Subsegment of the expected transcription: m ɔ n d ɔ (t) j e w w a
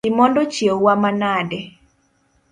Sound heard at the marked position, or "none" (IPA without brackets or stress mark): t͡ʃ